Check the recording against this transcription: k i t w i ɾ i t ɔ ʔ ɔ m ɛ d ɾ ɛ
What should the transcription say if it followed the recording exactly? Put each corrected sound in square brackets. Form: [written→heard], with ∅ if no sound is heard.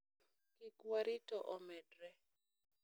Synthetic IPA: k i [t→k] w [i→a] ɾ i t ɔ ʔ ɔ m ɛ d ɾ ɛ